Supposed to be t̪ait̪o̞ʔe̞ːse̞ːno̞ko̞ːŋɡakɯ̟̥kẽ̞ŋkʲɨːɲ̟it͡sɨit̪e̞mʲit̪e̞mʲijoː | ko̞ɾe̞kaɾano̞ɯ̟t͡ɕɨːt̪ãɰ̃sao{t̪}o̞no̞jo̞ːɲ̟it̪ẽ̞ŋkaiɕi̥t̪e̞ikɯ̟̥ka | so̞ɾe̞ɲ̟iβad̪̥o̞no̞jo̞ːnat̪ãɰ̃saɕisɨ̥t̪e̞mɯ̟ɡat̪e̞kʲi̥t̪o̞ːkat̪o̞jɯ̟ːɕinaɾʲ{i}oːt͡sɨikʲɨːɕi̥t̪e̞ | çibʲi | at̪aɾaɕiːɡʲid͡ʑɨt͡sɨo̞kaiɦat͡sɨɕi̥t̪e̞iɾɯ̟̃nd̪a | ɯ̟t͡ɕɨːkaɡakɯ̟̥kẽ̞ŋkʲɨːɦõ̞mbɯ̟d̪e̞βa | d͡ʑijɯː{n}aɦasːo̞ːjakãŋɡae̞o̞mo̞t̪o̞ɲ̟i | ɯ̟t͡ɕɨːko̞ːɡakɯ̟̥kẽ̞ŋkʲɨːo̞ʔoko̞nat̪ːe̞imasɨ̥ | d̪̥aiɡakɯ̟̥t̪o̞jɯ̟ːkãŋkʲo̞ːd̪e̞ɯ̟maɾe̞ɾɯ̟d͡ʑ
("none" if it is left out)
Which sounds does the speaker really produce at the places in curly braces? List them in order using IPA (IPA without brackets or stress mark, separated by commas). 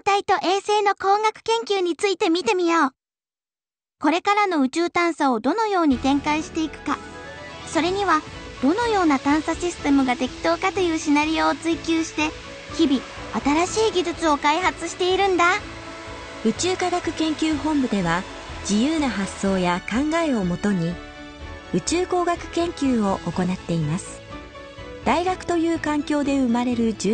d̪, i, n